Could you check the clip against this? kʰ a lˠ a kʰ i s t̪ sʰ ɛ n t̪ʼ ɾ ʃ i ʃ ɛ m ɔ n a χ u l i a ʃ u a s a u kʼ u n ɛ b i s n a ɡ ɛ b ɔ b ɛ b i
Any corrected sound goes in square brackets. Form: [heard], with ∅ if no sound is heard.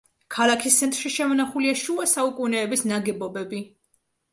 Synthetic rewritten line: kʰ a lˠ a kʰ i s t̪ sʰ ɛ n t̪ʼ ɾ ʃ i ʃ ɛ m ɔ n a χ u l i a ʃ u a s a u kʼ u n [ɛː] b i s n a ɡ ɛ b ɔ b ɛ b i